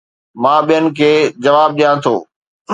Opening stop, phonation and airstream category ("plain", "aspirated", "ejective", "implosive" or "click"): implosive